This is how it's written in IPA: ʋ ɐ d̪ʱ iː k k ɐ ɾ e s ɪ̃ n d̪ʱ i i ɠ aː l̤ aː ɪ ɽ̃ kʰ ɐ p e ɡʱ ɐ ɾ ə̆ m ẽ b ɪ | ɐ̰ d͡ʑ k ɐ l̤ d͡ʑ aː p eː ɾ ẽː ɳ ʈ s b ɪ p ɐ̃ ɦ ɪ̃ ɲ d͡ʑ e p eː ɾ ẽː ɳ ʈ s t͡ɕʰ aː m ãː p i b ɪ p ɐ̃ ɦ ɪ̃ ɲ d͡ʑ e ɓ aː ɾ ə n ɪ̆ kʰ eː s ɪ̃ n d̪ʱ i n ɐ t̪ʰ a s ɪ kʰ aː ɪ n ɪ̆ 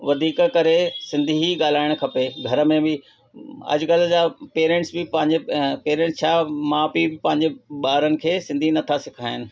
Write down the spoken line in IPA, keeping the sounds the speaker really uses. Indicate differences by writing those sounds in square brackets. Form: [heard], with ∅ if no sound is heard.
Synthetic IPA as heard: ʋ ɐ d̪ʱ iː k k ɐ ɾ e s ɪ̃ n d̪ʱ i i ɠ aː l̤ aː ɪ ɽ̃ kʰ ɐ p e ɡʱ ɐ ɾ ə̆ m ẽ b ɪ | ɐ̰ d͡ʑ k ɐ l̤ d͡ʑ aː p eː ɾ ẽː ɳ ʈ s b ɪ p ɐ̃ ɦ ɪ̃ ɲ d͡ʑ e p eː ɾ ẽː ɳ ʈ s t͡ɕʰ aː m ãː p i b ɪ p ɐ̃ ɦ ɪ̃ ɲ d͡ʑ e ɓ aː ɾ ə n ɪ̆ kʰ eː s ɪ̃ n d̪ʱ i n ɐ t̪ʰ a s ɪ kʰ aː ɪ n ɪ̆